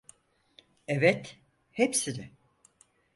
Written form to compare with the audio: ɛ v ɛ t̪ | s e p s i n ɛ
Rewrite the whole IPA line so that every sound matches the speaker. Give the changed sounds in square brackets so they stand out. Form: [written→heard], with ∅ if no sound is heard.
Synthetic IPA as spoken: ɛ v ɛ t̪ | [s→h] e p s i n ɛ